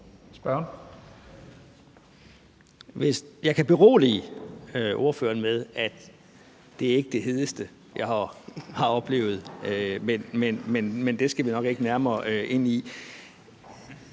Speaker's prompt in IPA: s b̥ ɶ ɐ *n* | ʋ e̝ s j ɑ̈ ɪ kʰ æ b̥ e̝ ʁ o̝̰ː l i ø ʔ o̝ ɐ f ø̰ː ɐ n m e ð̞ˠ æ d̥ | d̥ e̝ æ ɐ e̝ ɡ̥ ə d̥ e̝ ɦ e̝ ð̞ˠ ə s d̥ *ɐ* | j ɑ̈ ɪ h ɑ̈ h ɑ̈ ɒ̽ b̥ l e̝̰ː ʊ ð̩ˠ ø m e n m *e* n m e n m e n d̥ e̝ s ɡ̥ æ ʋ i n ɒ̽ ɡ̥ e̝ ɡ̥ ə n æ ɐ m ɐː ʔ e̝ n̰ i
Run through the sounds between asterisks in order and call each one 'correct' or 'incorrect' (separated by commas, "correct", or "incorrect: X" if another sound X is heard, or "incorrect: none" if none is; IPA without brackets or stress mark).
correct, incorrect: ə, correct